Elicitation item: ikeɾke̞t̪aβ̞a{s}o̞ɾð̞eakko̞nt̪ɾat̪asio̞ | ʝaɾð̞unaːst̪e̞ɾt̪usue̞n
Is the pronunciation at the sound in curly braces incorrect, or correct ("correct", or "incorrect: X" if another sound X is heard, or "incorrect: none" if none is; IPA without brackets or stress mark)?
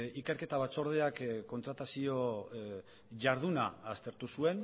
incorrect: t͡s